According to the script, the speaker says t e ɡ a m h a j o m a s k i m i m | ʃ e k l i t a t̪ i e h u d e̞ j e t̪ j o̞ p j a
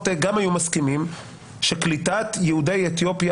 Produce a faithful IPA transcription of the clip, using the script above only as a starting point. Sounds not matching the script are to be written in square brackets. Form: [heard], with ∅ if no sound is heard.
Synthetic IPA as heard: t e ɡ a m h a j [u] m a s k i m i m | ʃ e k l i t a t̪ [j] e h u d e̞ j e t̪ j o̞ p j a

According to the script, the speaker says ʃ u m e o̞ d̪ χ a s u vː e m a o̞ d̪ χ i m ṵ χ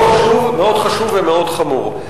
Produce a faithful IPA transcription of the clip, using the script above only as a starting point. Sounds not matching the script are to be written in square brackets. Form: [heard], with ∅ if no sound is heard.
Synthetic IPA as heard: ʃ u m e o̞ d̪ χ a [ʃ] u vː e m [e] o̞ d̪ χ [a] m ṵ [ʁ]

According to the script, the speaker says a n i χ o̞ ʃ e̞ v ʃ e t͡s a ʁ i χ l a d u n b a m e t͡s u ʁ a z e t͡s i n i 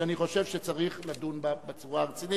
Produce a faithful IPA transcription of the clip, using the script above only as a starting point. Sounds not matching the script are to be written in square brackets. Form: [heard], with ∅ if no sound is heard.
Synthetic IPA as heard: a n i χ o̞ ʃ e̞ v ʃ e t͡s a ʁ i χ l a d u n b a [b] e t͡s u ʁ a [ʁ] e t͡s i n i

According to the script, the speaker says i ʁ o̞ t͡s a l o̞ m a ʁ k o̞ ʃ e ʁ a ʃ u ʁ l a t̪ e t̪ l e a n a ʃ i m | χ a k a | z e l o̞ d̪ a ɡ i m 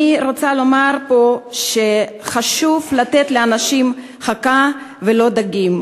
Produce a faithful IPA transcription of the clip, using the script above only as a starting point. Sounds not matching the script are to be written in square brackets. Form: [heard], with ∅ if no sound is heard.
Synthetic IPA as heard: i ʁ o̞ t͡s a l o̞ m a ʁ [p] o̞ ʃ e [χ] a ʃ u [v] l a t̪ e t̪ l e a n a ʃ i m | χ a k a | [v] e l o̞ d̪ a ɡ i m

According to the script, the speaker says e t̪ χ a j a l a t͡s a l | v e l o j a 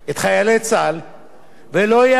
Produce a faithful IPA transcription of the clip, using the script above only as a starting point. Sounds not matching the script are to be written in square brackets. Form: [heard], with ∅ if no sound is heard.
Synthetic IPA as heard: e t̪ χ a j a l [e] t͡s a l | v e l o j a

